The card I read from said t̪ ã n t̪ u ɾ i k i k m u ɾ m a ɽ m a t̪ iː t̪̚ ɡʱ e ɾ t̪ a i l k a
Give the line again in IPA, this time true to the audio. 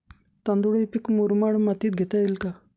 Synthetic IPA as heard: t̪ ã n d̪ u ɽ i p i k m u ɾ m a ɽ m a t̪ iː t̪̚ ɡʱ e t̪ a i l k a